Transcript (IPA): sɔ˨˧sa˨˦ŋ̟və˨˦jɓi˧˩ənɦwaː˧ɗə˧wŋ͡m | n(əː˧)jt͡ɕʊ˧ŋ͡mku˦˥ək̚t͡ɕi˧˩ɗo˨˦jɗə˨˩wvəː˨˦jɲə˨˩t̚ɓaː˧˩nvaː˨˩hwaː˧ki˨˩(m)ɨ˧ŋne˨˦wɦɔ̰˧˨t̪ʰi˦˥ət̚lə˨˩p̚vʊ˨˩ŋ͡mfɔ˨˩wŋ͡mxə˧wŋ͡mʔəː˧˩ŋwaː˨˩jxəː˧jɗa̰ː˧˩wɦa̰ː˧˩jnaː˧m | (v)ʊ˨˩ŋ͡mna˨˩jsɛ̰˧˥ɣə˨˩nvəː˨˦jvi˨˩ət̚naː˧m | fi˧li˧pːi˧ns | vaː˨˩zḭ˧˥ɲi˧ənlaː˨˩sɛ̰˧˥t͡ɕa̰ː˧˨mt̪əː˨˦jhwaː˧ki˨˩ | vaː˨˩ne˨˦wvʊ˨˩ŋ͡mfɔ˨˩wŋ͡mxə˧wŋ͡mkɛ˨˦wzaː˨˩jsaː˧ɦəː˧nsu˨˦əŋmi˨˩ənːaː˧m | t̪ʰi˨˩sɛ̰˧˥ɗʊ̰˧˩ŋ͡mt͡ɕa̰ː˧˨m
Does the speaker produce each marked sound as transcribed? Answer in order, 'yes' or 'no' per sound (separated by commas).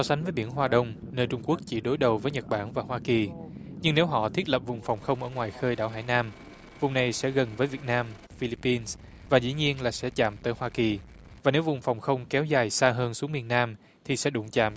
yes, no, yes